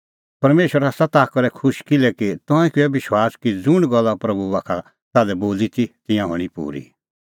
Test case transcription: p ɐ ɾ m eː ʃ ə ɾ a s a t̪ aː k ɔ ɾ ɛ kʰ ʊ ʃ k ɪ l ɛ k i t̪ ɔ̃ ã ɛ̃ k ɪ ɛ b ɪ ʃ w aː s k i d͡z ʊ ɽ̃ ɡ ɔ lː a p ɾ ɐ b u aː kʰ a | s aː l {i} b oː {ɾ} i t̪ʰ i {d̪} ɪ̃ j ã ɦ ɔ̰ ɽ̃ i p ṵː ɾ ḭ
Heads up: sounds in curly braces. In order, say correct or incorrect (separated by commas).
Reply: incorrect, incorrect, incorrect